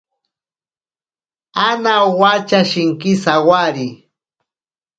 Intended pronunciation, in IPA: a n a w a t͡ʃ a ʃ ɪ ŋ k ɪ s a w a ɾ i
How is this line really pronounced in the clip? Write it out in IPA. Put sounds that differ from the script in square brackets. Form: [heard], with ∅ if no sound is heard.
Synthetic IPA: a n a w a t͡ʃ a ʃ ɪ ŋ k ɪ s a w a ɾ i